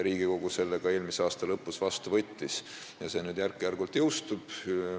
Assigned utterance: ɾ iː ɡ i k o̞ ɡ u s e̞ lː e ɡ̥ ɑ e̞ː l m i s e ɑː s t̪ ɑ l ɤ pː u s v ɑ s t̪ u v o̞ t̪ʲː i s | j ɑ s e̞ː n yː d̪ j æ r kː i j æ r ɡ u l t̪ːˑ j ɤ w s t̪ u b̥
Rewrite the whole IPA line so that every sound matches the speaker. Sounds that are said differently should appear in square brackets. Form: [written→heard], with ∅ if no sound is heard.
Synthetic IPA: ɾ iː ɡ i k o̞ ɡ u s e̞ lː e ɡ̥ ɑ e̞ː l m i s e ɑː s t̪ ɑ l ɤ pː u s v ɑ s t̪ u v [o̞→ɤ̞] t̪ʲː i s | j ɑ s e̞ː n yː d̪ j æ r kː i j æ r ɡ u l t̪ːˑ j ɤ w s t̪ u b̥